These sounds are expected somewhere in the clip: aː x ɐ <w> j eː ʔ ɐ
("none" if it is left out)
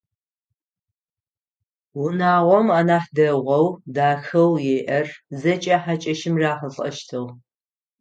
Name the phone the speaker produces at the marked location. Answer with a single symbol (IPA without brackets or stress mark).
w